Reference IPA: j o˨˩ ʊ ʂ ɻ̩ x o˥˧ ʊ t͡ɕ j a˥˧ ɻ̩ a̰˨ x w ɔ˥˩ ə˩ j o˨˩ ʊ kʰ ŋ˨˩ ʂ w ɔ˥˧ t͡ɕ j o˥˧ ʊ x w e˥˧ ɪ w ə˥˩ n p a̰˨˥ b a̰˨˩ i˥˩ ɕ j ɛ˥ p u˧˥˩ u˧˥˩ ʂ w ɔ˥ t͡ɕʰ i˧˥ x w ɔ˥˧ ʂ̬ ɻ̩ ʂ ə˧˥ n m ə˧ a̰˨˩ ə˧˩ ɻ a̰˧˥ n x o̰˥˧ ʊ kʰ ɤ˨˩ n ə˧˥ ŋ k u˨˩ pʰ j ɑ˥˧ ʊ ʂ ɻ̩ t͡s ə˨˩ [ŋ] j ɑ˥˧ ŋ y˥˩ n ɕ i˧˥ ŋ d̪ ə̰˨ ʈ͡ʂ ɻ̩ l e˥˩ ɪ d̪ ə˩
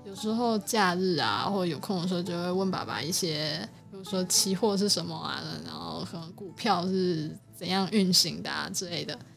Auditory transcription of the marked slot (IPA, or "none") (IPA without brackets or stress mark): n